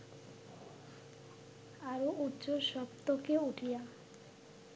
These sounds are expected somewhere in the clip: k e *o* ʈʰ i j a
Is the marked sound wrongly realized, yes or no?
yes